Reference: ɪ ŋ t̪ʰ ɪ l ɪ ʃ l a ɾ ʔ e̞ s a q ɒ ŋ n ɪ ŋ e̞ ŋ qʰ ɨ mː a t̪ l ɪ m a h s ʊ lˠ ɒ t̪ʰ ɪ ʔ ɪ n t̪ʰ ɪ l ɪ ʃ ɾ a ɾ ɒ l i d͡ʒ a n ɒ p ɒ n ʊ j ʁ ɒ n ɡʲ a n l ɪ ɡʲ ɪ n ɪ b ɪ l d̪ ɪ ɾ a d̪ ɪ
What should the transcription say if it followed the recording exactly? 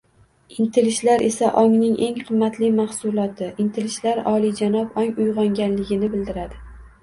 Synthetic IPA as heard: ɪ n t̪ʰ ɪ l ɪ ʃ l a ɾ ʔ e̞ s a ʔ ɒ ŋ n ɪ ŋ e̞ ŋ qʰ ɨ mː a t̪ l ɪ m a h s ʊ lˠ ɒ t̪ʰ ɪ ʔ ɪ n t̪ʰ ɪ l ɪ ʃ l a ɾ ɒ l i d͡ʒ a n ɒ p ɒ ŋ ʊ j ʁ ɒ ŋ ɡʲ a n l ɪ ɡʲ ɪ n ɪ b ɪ l d̪ ɪ ɾ a d̪ ɪ